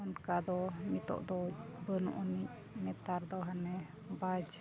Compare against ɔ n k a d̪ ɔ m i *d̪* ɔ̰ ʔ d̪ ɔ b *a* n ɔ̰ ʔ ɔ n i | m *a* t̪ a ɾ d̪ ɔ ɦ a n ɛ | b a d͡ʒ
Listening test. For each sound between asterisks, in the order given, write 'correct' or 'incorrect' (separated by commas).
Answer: incorrect, incorrect, incorrect